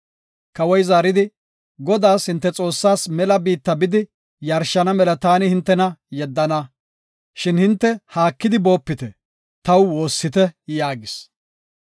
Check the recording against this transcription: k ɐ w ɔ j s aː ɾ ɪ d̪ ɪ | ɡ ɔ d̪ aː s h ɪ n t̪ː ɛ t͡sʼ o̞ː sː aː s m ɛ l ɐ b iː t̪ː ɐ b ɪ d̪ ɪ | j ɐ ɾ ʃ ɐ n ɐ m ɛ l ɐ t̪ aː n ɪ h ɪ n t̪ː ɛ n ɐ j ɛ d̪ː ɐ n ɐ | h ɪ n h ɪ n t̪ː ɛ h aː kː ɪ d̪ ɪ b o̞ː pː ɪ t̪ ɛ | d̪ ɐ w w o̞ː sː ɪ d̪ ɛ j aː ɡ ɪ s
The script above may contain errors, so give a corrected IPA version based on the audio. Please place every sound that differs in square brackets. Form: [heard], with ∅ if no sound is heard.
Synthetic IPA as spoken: k ɐ w ɔ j [z] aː ɾ ɪ d̪ ɪ | ɡ ɔ d̪ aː s h ɪ n t̪ː ɛ t͡sʼ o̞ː sː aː s m ɛ l ɐ b iː t̪ː ɐ b ɪ d̪ ɪ | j ɐ ɾ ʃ ɐ n ɐ m ɛ l ɐ t̪ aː n ɪ h ɪ n t̪ː ɛ n ɐ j ɛ d̪ː ɐ n ɐ | [ʃ] ɪ n h ɪ n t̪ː ɛ h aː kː ɪ d̪ ɪ b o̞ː pː ɪ t̪ ɛ | [t̪] ɐ w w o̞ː sː ɪ [t̪] ɛ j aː ɡ ɪ s